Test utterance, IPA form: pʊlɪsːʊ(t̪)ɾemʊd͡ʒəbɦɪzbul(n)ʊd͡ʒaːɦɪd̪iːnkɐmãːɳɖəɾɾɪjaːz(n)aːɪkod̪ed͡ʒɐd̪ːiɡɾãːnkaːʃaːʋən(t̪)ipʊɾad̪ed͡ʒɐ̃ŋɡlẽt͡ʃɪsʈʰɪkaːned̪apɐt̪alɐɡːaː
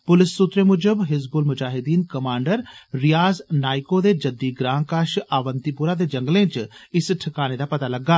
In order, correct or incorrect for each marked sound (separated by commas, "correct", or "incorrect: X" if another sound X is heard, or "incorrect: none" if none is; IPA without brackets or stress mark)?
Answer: correct, incorrect: m, correct, correct